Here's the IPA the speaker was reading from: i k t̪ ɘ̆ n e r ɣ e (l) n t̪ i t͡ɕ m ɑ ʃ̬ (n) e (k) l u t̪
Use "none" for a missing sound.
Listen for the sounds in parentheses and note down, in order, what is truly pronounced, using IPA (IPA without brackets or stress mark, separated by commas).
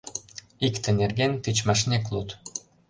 none, n, k